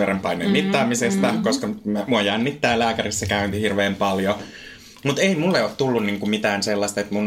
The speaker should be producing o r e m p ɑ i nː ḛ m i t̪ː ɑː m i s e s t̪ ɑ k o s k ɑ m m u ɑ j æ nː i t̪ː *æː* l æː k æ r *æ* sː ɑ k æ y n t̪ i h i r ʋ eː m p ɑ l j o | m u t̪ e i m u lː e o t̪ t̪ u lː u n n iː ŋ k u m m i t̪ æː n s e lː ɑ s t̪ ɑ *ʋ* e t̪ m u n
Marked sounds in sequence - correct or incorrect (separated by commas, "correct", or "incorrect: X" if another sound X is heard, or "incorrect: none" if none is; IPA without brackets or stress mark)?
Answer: correct, incorrect: i, incorrect: none